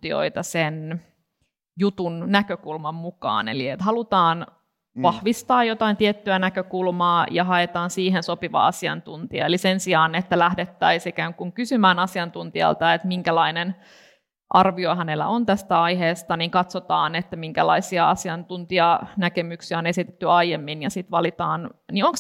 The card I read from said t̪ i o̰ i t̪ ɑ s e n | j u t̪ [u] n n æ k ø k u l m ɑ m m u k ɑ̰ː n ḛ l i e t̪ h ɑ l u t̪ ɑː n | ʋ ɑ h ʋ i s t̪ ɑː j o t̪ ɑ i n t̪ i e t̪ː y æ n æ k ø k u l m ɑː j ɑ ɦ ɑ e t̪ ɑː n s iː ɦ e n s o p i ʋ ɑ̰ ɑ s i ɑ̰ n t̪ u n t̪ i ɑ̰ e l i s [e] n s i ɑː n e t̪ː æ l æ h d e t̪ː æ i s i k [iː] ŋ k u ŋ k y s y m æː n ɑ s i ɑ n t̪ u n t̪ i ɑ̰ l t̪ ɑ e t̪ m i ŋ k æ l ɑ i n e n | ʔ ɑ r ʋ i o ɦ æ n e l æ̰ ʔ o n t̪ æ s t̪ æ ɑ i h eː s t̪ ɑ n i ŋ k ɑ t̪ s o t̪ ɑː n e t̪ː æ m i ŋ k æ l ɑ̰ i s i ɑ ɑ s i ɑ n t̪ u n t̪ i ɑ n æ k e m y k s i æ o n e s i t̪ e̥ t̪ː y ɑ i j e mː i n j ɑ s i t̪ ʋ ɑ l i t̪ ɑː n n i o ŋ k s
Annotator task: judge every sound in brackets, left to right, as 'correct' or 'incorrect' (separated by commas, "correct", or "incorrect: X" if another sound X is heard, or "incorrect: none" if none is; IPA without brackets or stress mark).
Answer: correct, correct, incorrect: æː